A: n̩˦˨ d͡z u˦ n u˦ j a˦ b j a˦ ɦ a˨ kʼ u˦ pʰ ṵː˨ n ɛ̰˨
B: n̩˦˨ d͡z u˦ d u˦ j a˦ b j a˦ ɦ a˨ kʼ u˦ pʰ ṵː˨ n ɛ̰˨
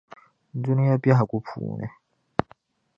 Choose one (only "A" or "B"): A